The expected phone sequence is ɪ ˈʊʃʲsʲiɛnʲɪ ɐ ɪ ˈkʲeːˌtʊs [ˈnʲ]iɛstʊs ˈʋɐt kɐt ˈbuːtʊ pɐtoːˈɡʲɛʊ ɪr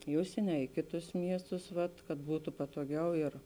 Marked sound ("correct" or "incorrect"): incorrect